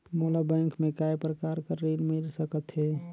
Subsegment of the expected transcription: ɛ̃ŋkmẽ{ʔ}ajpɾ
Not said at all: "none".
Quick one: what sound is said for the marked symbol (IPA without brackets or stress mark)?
k